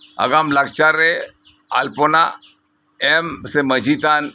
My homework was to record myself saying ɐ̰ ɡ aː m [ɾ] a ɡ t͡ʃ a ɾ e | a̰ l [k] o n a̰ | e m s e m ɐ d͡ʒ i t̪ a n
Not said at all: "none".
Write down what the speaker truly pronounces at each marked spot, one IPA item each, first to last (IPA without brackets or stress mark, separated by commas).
l, p